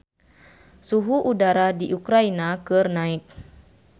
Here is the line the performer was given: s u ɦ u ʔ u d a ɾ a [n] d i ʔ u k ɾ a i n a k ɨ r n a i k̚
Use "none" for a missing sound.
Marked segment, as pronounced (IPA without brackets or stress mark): none